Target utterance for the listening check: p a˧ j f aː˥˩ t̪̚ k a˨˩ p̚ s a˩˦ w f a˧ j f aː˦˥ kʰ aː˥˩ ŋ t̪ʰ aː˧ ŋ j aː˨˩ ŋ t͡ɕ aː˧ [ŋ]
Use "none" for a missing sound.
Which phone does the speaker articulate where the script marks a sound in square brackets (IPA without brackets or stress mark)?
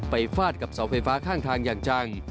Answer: ŋ